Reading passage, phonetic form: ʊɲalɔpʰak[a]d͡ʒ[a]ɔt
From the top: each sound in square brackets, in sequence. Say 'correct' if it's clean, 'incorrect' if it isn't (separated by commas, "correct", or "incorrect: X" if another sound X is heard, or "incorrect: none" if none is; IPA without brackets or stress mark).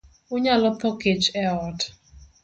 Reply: incorrect: e, incorrect: ɛ